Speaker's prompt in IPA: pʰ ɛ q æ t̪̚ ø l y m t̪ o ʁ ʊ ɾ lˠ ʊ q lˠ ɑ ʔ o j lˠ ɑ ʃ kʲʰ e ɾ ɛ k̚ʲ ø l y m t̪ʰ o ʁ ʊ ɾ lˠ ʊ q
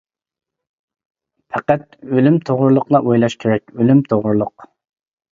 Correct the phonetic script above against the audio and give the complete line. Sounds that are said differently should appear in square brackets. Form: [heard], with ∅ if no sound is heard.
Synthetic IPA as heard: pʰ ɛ q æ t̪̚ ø l y m [t̪ʰ] o ʁ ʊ ɾ lˠ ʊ q lˠ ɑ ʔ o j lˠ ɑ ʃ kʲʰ e ɾ ɛ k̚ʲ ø l y m t̪ʰ o ʁ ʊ ɾ lˠ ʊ q